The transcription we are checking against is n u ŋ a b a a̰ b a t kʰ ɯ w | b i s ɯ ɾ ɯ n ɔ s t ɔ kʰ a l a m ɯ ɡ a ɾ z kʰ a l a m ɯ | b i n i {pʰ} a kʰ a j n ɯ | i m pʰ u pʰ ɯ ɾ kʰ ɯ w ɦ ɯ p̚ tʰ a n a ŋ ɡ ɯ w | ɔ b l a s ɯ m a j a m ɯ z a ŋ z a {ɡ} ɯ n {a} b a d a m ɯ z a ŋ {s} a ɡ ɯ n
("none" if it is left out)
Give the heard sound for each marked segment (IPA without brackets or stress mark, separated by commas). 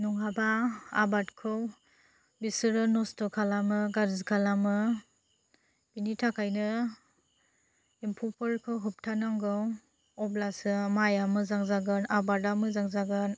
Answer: tʰ, ɡ, a, z